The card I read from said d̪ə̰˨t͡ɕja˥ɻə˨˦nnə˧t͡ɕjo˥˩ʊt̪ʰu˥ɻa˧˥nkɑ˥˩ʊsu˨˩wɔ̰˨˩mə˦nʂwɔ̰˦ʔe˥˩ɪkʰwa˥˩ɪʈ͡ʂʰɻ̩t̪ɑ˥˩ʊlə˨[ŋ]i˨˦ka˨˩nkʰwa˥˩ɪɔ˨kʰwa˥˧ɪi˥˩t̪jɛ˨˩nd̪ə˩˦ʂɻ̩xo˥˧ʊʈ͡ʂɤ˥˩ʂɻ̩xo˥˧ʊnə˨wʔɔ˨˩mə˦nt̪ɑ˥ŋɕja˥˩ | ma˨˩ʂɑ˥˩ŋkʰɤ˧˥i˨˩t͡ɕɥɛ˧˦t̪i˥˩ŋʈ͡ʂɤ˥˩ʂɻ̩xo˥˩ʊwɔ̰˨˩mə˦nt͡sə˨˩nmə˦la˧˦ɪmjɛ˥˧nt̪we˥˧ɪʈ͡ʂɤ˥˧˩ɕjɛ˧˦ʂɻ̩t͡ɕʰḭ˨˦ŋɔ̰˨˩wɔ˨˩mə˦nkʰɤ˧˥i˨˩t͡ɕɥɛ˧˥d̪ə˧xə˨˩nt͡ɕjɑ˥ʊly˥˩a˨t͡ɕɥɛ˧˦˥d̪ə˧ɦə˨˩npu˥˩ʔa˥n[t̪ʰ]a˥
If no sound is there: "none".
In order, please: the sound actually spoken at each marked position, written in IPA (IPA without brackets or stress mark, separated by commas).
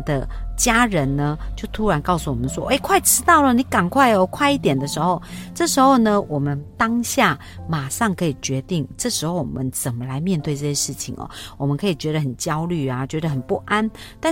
n, t̪